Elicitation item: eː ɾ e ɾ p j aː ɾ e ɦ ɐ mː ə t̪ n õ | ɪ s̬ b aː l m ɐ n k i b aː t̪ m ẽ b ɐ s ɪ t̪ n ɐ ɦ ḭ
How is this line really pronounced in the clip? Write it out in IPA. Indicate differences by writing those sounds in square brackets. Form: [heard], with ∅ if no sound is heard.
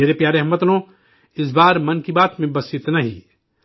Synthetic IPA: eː ɾ e [∅] p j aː ɾ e ɦ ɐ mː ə t̪ n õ | ɪ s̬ b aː [ɾ] m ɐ n k i b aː t̪ m ẽ b ɐ s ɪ t̪ n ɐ ɦ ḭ